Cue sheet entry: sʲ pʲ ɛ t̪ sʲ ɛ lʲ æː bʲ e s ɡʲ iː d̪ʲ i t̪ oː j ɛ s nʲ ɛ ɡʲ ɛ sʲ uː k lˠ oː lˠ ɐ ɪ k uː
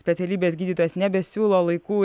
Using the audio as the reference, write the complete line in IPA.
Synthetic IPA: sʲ pʲ ɛ t̪ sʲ ɛ lʲ iː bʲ e s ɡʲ iː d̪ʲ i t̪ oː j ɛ s nʲ ɛ bʲ ɛ sʲ uː lˠ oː lˠ ɐ ɪ k uː